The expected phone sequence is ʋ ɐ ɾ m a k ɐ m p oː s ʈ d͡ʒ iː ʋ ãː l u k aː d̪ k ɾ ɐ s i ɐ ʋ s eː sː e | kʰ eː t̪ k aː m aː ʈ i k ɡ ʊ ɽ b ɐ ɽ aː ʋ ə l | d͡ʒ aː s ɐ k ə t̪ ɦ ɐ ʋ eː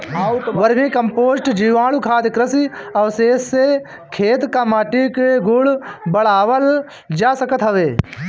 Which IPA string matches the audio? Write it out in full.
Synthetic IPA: ʋ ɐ ɾ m i k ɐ m p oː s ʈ d͡ʒ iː ʋ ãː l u kʰ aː d̪ k ɾ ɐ s i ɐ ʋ s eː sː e | kʰ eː t̪ k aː m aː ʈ i k ɡ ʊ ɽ b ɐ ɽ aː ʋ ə l | d͡ʒ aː s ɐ k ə t̪ ɦ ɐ ʋ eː